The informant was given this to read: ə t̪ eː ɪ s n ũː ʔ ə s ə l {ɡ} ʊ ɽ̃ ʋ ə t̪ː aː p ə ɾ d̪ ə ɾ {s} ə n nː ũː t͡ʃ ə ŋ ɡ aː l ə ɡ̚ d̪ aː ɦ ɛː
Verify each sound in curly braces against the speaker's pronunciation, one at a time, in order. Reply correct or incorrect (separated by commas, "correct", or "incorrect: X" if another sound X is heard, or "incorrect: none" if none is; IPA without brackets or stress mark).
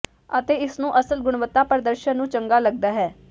correct, incorrect: ʃ